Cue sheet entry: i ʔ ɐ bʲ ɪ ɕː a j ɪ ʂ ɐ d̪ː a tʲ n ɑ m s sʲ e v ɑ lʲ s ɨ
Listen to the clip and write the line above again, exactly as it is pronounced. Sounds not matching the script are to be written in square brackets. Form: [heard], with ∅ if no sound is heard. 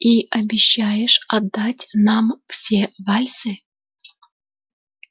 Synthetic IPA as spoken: i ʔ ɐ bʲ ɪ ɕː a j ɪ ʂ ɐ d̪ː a tʲ n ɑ m [f] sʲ e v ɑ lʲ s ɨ